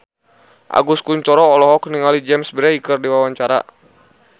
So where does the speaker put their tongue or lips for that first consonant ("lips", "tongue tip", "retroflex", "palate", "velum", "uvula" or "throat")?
throat